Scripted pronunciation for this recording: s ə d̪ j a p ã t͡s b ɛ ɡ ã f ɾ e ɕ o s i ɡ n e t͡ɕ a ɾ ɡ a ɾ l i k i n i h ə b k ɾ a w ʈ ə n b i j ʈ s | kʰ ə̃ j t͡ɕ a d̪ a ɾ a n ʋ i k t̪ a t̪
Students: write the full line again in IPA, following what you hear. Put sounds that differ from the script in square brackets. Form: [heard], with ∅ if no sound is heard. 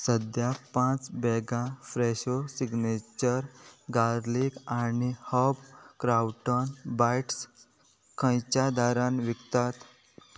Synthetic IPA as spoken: s ə d̪ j a p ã t͡s b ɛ ɡ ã f ɾ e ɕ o s i ɡ n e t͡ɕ [ə] ɾ ɡ a ɾ l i k [a] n i h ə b k ɾ a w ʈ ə n b [a] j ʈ s | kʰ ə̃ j t͡ɕ a d̪ a ɾ a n ʋ i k t̪ a t̪